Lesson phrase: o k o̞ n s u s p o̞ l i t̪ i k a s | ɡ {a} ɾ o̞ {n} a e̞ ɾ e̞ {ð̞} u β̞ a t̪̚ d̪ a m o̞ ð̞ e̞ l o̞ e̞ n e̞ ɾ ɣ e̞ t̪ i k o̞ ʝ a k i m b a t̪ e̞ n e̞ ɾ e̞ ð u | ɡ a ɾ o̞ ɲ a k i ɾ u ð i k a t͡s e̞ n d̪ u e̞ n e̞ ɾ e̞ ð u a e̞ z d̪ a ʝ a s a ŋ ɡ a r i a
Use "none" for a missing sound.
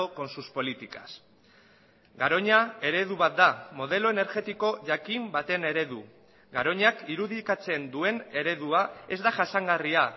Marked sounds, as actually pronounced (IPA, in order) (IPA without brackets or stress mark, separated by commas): a, ɲ, ð̞